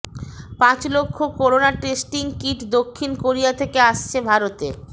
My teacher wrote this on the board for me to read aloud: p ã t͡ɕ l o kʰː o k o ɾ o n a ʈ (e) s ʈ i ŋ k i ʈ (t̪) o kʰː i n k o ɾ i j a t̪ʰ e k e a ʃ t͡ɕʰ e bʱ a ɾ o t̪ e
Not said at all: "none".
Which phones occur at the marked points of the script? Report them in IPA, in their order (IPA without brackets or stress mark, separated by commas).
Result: e, d̪